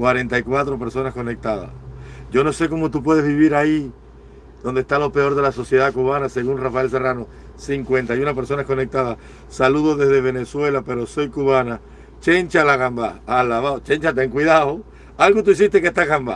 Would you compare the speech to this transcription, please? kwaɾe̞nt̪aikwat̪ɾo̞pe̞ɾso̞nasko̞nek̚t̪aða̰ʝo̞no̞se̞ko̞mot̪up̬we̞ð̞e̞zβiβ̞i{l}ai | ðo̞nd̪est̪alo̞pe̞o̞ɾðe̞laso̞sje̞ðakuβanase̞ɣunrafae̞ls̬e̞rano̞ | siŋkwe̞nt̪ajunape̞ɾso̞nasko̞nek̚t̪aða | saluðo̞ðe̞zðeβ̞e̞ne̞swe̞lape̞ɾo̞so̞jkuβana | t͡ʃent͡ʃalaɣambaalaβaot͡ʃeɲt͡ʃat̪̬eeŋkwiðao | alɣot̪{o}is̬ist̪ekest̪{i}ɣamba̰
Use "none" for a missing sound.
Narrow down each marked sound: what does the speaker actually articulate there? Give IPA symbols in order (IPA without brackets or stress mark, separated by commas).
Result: ɾ, u, a